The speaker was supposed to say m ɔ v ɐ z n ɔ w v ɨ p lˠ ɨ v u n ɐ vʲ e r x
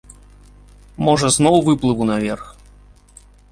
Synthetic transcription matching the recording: m ɔ ʐ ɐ z n ɔ w v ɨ p lˠ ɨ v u n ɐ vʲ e r x

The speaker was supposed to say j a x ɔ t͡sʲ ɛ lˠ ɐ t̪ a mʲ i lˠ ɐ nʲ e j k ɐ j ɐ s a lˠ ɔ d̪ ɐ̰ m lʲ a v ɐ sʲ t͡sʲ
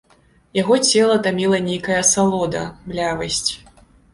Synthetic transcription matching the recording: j a ɣ ɔ t͡sʲ ɛ lˠ ɐ t̪ a mʲ i lˠ ɐ nʲ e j k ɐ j ɐ s a lˠ ɔ d̪ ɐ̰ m lʲ a v ɐ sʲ t͡sʲ

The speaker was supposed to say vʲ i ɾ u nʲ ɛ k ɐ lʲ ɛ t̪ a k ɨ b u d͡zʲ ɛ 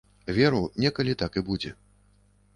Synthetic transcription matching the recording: vʲ ɛ ɾ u nʲ ɛ k ɐ lʲ i t̪ a k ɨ b u d͡zʲ ɛ

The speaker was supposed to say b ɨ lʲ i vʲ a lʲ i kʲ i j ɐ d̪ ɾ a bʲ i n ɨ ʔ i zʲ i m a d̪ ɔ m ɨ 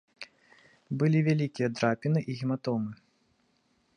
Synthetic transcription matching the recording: b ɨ lʲ i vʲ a lʲ i kʲ i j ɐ d̪ ɾ a pʲ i n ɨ ʔ i ɣʲ i m a t̪ ɔ m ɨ

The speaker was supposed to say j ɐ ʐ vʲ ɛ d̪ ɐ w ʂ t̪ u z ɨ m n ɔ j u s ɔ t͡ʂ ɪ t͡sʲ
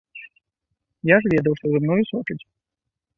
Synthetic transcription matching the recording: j a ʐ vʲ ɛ d̪ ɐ w ʂ t̪ ɔ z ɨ m n ɔ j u s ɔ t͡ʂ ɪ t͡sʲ

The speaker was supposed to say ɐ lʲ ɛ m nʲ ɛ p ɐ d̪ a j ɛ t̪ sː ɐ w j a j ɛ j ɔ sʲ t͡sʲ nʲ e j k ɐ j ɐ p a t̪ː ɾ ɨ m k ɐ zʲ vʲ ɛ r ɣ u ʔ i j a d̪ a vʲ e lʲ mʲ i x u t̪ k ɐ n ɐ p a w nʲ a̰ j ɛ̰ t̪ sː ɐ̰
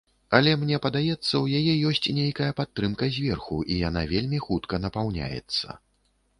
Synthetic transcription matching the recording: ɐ lʲ ɛ m nʲ ɛ p ɐ d̪ a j ɛ t̪ sː ɐ w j a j ɛ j ɔ sʲ t͡sʲ nʲ e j k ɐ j ɐ p a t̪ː ɾ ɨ m k ɐ zʲ vʲ ɛ r x u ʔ i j a n̪ a vʲ e lʲ mʲ i x u t̪ k ɐ n ɐ p a w nʲ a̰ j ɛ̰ t̪ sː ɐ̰

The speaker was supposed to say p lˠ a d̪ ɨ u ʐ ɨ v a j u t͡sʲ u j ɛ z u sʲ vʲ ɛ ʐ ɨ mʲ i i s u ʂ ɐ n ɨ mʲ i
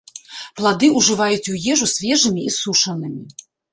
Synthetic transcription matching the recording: p lˠ a d̪ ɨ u ʐ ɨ v a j u t͡sʲ u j ɛ ʐ u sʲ vʲ ɛ ʐ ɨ mʲ i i s u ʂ ɐ n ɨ mʲ i

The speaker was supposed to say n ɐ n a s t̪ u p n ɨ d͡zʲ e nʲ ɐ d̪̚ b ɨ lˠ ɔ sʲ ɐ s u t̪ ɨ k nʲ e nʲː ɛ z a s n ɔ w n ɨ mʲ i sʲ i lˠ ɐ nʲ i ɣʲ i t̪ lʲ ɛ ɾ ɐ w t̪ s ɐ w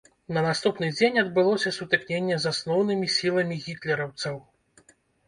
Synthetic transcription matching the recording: n ɐ n a s t̪ u p n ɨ d͡zʲ e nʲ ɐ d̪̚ b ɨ lˠ ɔ sʲ ɐ s u t̪ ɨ k nʲ e nʲː ɛ z a s n ɔ w n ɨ mʲ i sʲ i lˠ ɐ mʲ i ɣʲ i t̪ lʲ ɛ ɾ ɐ w t̪ s ɐ w

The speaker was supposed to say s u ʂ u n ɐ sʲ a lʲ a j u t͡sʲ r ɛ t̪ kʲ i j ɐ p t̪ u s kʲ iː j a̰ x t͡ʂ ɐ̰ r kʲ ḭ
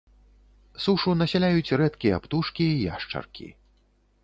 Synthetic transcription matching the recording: s u ʂ u n ɐ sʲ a lʲ a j u t͡sʲ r ɛ t̪ kʲ i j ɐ p t̪ u ʂ kʲ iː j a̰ ʂ t͡ʂ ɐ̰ r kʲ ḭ

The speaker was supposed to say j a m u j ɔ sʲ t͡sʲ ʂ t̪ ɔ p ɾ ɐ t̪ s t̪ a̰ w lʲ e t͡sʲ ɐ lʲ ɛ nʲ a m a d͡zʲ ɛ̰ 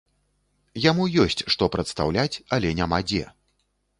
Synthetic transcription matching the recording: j a m u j ɔ sʲ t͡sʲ ʂ t̪ ɔ p ɾ ɐ t̪ s t̪ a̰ w lʲ a t͡sʲ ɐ lʲ ɛ nʲ a m a d͡zʲ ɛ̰

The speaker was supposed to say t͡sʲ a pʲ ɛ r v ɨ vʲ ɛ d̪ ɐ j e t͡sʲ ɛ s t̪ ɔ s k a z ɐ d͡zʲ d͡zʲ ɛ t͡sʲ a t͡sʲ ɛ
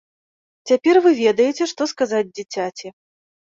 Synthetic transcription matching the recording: t͡sʲ a pʲ ɛ r v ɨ vʲ ɛ d̪ ɐ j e t͡sʲ ɛ ʂ t̪ ɔ s k a z a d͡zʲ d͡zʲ i t͡sʲ a t͡sʲ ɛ

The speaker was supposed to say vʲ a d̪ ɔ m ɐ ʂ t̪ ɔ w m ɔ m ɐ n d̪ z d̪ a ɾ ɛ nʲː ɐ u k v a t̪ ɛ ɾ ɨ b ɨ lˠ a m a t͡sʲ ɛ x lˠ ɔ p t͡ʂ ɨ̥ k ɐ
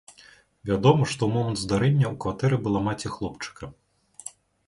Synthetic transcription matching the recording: vʲ a d̪ ɔ m ɐ ʂ t̪ ɔ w m ɔ m ɐ n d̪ z d̪ a ɾ ɛ nʲː ɐ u k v a t̪ ɛ ɾ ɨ b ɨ lˠ a m a t͡sʲ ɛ x lˠ ɔ p t͡ʂ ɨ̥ k ɐ

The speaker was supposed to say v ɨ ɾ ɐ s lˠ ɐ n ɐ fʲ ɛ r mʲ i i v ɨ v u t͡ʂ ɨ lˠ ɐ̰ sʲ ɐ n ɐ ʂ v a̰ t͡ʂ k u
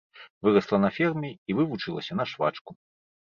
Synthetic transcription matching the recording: v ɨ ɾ ɐ s lˠ ɐ n ɐ fʲ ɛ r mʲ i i v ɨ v u t͡ʂ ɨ lˠ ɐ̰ sʲ ɐ n ɐ ʂ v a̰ t͡ʂ k u

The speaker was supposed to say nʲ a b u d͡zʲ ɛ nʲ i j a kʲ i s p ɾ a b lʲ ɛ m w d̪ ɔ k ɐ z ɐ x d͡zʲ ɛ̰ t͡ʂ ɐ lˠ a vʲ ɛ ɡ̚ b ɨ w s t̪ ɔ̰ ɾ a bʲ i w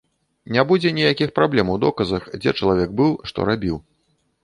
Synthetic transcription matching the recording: nʲ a b u d͡zʲ ɛ nʲ i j a kʲ i x p ɾ a b lʲ ɛ m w d̪ ɔ k ɐ z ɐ x d͡zʲ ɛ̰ t͡ʂ ɐ lˠ a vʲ ɛ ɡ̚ b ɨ w ʂ t̪ ɔ̰ ɾ a bʲ i w

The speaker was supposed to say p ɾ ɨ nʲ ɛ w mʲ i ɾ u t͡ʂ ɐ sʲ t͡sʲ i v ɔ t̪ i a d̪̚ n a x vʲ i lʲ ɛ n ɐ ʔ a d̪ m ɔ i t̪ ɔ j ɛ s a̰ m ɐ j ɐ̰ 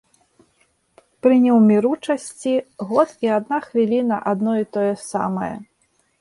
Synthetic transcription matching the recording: p ɾ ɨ nʲ ɛ w mʲ i ɾ u t͡ʂ ɐ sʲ t͡sʲ i ɣ ɔ t̪ i a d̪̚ n a x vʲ i lʲ i n ɐ ʔ a d̪ n ɔ i t̪ ɔ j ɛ s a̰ m ɐ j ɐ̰

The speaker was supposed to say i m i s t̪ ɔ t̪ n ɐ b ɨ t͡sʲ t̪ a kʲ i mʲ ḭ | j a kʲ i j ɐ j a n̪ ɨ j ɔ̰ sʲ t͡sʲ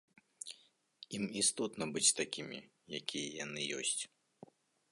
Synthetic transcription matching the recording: i m i s t̪ ɔ t̪ n ɐ b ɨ t͡sʲ t̪ a kʲ i mʲ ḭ | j a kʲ i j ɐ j a n̪ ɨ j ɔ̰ sʲ t͡sʲ

